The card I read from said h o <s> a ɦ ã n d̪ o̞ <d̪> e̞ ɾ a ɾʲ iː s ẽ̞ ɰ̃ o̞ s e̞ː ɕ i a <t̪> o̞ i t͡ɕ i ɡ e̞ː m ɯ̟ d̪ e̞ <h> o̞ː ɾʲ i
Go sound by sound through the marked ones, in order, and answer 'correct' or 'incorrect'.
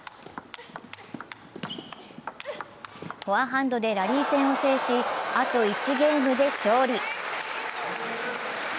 incorrect: none, correct, correct, incorrect: ɕ

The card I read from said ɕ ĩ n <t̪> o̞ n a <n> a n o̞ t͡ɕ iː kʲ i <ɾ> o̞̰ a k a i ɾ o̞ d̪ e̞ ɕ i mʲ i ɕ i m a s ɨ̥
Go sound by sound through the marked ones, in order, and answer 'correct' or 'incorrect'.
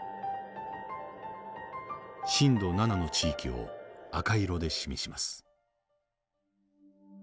incorrect: d̪, correct, incorrect: none

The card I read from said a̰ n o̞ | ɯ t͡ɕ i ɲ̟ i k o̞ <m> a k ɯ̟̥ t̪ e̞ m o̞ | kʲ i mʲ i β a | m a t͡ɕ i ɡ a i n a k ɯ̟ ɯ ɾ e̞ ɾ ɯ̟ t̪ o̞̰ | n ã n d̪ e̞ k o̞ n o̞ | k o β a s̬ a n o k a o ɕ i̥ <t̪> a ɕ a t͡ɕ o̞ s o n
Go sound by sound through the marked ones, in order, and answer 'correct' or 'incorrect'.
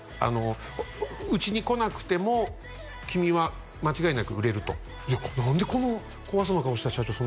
incorrect: n, correct

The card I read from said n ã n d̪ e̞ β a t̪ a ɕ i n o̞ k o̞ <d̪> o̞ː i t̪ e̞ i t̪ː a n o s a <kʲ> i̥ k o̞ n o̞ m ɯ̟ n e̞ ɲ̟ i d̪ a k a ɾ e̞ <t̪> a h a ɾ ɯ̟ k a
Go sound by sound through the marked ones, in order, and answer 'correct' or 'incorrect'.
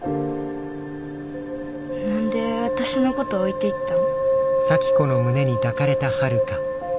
incorrect: t̪, correct, correct

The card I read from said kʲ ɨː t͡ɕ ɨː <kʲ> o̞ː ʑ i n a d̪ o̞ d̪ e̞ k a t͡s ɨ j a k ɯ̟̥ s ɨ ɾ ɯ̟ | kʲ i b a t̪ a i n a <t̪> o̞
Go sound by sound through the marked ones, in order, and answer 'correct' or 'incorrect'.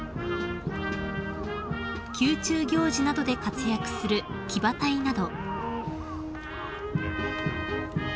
incorrect: ɡʲ, incorrect: d̪

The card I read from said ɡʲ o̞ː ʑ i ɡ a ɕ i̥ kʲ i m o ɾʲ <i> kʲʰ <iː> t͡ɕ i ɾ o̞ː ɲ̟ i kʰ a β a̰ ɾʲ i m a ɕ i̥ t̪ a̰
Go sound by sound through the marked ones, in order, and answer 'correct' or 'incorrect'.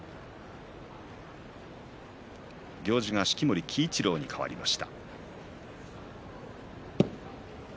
correct, correct

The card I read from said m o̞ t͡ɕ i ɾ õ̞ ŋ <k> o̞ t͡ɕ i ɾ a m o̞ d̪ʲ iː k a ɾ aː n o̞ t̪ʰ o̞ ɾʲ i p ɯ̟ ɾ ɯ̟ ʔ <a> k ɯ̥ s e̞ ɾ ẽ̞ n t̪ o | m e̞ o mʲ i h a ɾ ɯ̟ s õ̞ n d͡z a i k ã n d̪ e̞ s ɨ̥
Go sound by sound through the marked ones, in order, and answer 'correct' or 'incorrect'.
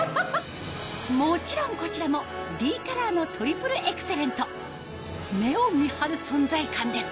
correct, incorrect: e

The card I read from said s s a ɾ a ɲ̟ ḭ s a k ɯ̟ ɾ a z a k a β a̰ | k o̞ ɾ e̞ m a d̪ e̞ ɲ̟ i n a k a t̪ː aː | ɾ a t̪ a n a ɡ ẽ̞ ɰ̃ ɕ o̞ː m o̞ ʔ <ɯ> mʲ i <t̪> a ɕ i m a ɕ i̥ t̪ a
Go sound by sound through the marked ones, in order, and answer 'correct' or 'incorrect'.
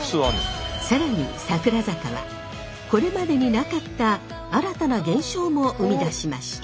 correct, incorrect: d̪

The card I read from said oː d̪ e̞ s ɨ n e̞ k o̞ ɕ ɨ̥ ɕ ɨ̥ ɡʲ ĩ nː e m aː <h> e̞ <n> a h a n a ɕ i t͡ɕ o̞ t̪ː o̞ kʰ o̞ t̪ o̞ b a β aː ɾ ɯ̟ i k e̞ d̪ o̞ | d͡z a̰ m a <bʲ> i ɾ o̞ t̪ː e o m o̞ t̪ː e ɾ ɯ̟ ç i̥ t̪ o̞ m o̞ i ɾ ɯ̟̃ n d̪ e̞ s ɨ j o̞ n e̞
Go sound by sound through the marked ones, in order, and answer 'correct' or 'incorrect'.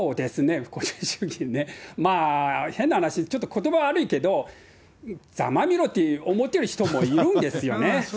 correct, incorrect: nː, incorrect: mʲ

